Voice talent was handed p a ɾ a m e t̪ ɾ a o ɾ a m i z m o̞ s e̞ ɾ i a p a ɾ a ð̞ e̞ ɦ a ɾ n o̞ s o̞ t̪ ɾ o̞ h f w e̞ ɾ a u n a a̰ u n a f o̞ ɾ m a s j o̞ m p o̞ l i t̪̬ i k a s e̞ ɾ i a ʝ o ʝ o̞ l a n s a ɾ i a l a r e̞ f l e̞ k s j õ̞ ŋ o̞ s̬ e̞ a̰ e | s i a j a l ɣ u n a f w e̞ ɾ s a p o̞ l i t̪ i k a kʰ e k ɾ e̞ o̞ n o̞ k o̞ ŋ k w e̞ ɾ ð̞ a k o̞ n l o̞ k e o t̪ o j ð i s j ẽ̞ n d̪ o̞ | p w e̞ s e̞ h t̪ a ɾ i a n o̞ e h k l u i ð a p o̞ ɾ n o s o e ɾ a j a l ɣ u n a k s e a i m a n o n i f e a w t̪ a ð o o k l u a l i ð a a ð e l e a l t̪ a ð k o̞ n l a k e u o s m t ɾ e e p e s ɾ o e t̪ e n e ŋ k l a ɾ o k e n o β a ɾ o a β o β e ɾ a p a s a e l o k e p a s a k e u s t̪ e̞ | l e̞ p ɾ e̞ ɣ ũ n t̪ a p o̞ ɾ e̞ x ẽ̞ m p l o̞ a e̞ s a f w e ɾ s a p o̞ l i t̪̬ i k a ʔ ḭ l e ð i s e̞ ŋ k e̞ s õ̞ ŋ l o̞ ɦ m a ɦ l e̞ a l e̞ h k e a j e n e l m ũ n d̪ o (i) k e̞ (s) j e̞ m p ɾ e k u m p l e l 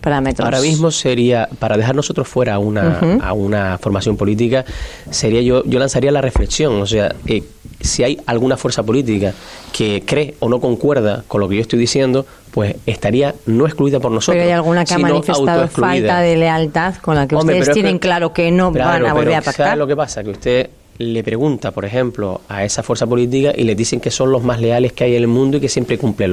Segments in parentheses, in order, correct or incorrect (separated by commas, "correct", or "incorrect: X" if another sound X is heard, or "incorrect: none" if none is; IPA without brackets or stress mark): correct, correct